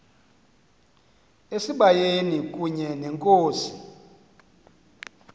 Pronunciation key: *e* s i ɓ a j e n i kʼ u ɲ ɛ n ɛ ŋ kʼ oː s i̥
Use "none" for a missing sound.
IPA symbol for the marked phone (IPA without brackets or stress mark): e